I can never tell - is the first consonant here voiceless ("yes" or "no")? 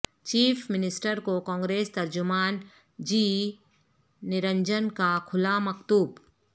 yes